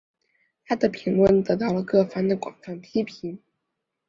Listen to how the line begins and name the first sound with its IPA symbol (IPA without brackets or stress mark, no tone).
t̪ʰ